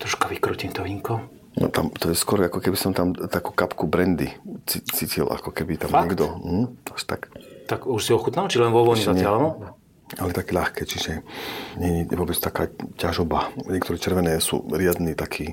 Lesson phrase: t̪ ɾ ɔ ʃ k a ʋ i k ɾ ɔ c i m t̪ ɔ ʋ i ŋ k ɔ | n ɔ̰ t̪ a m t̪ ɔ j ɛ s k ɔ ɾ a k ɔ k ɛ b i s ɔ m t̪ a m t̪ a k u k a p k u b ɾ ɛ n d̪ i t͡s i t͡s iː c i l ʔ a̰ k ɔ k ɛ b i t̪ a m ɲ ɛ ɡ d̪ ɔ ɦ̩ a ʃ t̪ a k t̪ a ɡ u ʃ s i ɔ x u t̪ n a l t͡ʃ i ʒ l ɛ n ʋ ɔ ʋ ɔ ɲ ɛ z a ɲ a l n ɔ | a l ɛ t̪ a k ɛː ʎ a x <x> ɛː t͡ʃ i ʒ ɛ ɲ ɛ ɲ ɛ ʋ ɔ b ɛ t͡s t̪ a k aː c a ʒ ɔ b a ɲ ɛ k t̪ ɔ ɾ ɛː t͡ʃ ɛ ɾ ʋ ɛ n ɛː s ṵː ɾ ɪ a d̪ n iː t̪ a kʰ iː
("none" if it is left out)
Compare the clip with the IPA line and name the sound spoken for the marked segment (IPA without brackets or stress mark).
k